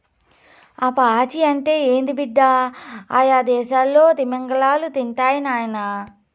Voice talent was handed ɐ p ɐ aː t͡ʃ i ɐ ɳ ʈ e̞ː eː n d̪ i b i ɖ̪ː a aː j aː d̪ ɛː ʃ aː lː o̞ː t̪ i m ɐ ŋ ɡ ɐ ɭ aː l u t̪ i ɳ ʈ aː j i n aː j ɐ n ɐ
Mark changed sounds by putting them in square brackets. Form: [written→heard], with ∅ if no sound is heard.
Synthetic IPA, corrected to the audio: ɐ p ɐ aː t͡ʃ i ɐ ɳ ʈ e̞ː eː n d̪ i b i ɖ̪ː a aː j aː d̪ ɛː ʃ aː lː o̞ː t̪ i m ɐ ŋ ɡ ɐ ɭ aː l u t̪ i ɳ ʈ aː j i n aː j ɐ n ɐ